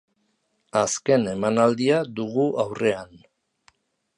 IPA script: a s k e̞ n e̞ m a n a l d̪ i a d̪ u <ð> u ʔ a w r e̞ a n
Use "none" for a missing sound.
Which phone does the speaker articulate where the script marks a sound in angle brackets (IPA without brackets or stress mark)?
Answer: ɣ